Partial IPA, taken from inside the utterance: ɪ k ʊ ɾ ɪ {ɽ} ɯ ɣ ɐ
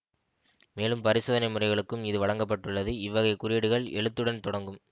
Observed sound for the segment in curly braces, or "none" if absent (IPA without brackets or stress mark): ɽ